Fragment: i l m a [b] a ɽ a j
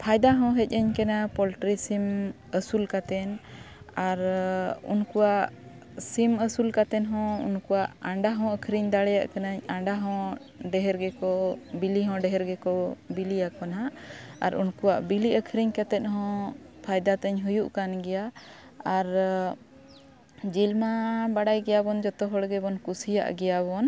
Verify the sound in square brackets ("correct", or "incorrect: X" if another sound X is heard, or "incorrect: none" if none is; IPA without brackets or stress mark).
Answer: correct